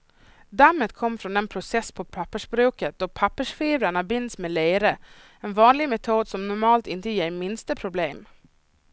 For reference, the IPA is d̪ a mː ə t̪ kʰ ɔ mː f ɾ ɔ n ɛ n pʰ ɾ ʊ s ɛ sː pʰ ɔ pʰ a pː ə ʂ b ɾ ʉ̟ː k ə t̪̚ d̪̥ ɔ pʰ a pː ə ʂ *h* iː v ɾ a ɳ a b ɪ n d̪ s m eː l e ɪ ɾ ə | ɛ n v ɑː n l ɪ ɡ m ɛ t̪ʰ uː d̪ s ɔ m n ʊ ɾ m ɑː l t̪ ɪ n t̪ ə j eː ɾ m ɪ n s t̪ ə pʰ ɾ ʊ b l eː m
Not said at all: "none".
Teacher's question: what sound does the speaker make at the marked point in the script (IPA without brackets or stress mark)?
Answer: f